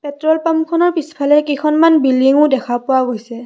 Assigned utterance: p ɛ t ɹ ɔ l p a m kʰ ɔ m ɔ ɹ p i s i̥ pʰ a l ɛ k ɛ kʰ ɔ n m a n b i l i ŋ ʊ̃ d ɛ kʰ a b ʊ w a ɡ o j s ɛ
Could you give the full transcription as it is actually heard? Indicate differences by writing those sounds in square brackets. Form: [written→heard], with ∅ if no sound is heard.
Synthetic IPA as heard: p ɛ t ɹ ɔ l p a m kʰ ɔ [m→n] ɔ ɹ p i s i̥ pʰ a l ɛ k [ɛ→i] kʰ ɔ n m a n b i l i ŋ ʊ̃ d ɛ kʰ a [b→p] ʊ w a ɡ o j s ɛ